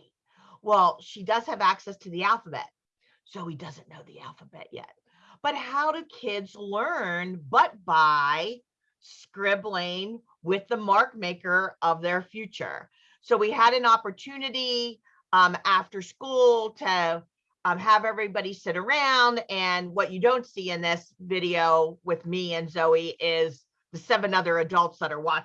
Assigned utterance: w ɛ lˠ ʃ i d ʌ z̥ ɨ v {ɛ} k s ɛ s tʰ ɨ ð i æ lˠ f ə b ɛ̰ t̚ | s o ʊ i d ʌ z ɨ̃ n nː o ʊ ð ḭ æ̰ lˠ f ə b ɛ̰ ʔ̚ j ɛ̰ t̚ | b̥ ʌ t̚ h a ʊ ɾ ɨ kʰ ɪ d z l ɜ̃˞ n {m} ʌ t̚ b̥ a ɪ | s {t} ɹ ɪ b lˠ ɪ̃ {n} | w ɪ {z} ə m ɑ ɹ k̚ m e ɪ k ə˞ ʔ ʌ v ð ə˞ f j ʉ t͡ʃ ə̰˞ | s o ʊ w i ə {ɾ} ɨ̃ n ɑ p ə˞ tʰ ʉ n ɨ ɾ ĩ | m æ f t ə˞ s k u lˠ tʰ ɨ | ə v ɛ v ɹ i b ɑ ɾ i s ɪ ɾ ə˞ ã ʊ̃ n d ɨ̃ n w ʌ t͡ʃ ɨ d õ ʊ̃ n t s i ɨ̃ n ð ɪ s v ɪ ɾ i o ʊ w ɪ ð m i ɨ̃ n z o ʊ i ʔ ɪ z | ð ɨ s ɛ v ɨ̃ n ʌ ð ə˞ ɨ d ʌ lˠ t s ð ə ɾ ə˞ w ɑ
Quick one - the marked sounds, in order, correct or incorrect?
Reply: incorrect, incorrect, incorrect, incorrect, incorrect, correct

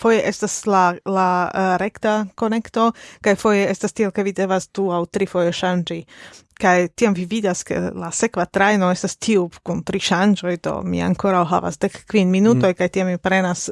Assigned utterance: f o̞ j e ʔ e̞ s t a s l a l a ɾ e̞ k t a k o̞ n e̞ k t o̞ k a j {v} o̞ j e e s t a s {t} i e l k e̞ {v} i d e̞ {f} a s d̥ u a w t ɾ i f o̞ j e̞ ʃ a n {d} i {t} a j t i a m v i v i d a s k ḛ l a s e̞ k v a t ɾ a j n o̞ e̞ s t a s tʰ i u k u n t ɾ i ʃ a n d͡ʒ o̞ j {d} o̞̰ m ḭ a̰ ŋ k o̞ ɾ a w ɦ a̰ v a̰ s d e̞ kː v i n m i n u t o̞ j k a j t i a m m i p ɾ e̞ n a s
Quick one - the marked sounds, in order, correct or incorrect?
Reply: incorrect, correct, correct, incorrect, incorrect, incorrect, correct

